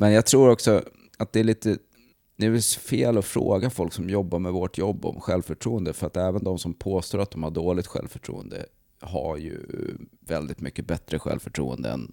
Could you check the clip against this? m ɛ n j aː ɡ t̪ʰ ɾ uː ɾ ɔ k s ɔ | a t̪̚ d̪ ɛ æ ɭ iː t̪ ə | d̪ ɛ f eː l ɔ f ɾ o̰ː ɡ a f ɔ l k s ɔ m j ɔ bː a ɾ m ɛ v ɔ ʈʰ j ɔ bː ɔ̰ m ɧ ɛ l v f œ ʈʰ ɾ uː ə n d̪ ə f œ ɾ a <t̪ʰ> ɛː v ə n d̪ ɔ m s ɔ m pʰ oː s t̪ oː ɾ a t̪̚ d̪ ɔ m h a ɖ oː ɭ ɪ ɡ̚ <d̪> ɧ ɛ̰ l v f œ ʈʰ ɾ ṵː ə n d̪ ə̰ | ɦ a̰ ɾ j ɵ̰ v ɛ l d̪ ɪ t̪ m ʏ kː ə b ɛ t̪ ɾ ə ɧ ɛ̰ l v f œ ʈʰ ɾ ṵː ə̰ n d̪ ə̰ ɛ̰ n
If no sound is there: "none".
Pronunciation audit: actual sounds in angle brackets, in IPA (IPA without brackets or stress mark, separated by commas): t̪, t̪